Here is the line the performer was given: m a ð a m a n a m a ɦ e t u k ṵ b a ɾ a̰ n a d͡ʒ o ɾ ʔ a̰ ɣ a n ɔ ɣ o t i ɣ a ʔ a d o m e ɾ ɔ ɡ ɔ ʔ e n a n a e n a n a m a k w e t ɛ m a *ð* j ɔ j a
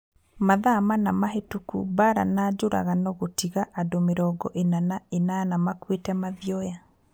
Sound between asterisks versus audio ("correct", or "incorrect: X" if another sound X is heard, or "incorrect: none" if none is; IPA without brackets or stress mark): correct